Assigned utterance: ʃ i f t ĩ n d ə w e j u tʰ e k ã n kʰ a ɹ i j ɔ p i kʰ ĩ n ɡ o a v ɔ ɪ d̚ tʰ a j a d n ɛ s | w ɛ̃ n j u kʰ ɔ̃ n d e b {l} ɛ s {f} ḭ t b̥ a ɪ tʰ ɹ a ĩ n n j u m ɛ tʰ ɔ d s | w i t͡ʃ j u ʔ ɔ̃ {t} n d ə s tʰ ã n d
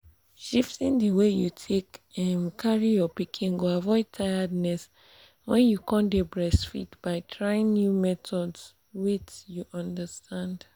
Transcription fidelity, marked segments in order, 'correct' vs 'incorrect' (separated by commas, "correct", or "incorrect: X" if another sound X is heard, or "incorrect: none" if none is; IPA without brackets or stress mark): incorrect: ɹ, correct, incorrect: none